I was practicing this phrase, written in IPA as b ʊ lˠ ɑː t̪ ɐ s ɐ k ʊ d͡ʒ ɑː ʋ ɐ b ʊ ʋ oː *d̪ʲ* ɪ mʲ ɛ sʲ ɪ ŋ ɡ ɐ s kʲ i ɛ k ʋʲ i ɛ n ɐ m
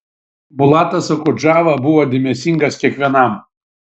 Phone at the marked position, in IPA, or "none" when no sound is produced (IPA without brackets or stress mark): d̪ʲ